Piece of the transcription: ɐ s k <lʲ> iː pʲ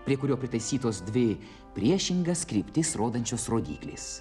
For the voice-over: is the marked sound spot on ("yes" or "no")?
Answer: no